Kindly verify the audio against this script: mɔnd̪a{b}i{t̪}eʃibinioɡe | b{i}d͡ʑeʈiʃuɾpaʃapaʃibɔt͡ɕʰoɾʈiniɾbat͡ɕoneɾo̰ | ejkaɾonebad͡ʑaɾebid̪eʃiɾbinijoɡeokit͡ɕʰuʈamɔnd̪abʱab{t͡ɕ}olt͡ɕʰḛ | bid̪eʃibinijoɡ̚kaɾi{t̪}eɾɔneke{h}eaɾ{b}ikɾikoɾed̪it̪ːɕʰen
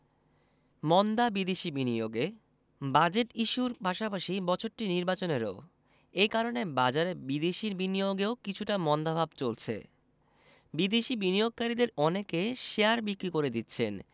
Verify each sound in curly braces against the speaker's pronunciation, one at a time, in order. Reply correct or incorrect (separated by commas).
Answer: correct, incorrect, incorrect, correct, incorrect, incorrect, correct